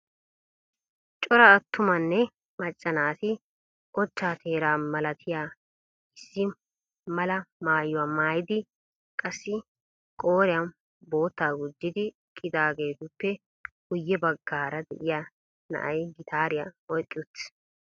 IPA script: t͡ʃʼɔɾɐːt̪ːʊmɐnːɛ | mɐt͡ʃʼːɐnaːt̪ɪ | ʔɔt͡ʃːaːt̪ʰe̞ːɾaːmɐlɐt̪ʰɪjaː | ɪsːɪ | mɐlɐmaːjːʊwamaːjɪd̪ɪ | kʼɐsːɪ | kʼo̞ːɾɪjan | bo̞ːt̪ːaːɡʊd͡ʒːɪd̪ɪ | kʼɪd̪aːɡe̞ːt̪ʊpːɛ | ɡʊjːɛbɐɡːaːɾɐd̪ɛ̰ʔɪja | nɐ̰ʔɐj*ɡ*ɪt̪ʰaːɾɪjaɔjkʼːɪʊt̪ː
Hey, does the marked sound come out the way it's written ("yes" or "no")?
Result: yes